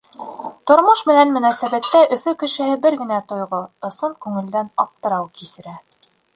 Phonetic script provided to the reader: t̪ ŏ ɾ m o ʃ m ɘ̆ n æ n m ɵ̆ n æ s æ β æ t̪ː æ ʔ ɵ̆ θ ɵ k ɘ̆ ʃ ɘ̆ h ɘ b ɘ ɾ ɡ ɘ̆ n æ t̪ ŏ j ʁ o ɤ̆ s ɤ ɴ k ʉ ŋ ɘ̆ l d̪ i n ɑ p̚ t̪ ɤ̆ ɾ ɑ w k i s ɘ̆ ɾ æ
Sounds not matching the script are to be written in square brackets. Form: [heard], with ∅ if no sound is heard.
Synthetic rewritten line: t̪ ŏ ɾ m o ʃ m ɘ̆ n æ n m ɵ̆ n æ s æ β æ t̪ː æ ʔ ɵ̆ [f] ɵ k ɘ̆ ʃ ɘ̆ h ɘ b ɘ ɾ ɡ ɘ̆ n æ t̪ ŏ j ʁ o ɤ̆ s ɤ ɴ k ʉ ŋ ɘ̆ l d̪ [æ] n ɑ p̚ t̪ ɤ̆ ɾ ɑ w k i s ɘ̆ ɾ æ